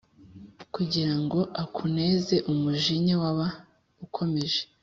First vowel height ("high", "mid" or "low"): high